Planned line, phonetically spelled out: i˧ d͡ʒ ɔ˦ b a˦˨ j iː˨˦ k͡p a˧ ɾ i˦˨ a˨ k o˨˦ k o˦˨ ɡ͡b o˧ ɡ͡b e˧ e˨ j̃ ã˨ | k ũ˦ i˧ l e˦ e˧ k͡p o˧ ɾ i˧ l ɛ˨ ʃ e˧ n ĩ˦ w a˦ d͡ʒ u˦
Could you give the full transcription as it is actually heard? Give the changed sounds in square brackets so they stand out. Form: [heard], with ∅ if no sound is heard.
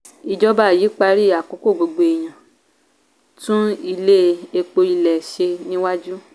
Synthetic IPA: i˧ d͡ʒ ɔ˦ b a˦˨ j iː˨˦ k͡p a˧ ɾ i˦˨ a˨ k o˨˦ k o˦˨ ɡ͡b o˧ ɡ͡b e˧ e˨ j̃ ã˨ | [t] ũ˦ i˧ l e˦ e˧ k͡p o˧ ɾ i˧ l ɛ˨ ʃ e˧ n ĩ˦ w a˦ d͡ʒ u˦